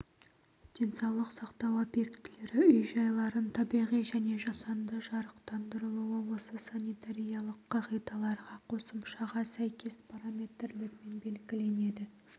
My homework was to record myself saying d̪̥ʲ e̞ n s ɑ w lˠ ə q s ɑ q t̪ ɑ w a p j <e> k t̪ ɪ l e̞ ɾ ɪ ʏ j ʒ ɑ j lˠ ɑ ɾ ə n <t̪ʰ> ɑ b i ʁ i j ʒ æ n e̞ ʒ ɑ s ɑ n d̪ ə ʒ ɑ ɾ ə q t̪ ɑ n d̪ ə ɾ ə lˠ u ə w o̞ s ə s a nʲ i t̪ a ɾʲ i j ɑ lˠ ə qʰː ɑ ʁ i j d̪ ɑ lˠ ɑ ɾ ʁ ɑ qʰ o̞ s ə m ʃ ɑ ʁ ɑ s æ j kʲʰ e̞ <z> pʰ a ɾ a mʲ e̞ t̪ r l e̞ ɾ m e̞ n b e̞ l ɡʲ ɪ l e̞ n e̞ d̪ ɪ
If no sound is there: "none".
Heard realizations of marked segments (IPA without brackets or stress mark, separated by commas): e, t̪ʰ, s